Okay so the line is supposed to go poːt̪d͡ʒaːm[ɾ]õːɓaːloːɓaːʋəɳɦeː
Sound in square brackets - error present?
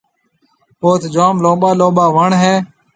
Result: yes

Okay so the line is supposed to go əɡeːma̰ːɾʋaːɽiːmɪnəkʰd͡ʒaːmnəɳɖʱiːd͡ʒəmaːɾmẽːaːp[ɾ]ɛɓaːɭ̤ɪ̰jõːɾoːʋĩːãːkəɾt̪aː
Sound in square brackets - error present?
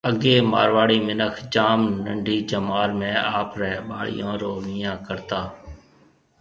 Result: no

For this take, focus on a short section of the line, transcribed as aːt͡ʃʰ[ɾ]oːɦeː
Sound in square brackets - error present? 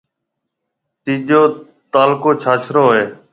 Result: no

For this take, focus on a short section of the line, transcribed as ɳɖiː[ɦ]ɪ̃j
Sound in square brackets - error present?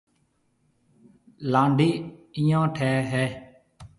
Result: yes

